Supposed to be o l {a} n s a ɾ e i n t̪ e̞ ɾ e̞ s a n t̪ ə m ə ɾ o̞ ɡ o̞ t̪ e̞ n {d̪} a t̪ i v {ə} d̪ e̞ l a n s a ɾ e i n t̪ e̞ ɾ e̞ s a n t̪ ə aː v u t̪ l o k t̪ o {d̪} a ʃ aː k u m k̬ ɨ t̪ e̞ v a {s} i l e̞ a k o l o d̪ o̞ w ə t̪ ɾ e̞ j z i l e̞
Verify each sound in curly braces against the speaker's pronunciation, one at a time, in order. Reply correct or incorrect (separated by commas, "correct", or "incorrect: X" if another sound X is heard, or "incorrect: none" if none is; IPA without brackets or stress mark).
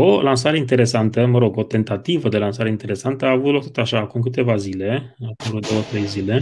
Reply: correct, incorrect: t̪, correct, incorrect: t̪, incorrect: z